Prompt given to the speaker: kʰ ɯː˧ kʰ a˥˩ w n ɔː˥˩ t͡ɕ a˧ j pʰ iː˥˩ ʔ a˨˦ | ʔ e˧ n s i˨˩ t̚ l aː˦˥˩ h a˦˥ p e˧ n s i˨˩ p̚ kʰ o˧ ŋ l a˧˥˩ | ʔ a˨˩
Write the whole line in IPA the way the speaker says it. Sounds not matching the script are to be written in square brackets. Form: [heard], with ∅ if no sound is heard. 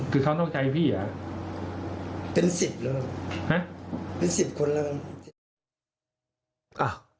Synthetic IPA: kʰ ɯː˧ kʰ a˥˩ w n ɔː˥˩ t͡ɕ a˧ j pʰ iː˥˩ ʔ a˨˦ | [p] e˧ n s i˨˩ [p̚] l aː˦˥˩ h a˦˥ p e˧ n s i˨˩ p̚ kʰ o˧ [n] l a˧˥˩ | ʔ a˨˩